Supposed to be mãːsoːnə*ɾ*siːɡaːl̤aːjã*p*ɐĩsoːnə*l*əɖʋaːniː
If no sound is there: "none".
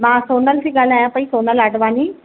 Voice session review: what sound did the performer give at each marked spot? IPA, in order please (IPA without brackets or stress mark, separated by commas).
l, p, l